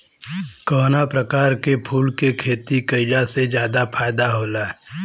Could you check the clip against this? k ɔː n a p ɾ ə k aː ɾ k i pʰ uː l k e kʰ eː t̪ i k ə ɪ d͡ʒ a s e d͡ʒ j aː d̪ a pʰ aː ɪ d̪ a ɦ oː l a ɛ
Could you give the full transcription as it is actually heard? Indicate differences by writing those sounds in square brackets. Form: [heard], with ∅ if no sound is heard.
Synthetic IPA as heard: k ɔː n a p ɾ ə k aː ɾ k [e] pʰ uː l k e kʰ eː t̪ i k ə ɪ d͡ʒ a s e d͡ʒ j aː d̪ a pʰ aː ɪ d̪ a ɦ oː l a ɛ